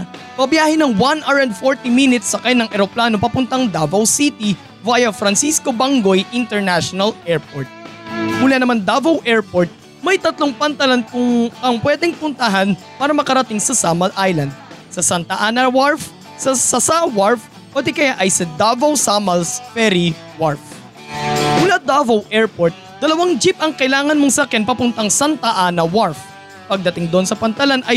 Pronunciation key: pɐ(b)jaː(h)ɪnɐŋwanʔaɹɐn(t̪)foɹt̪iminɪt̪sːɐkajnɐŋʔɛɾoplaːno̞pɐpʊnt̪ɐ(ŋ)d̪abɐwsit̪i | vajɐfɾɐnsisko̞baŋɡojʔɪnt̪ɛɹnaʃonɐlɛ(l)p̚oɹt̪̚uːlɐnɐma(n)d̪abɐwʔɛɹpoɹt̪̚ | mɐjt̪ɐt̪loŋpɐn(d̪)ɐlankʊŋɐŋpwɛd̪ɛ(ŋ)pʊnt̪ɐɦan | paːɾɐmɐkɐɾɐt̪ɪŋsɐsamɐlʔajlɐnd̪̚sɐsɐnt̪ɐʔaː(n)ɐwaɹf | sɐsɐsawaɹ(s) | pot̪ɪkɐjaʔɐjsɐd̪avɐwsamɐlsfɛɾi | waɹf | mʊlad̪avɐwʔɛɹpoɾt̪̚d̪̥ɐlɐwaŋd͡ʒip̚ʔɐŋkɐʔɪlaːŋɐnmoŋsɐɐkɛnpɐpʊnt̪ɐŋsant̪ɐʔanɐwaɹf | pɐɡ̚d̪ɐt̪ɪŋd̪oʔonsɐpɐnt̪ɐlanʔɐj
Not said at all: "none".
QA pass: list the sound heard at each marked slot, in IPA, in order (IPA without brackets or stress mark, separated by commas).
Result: b, h, d̪, ŋ, ɹ, n, t̪, ŋ, n, f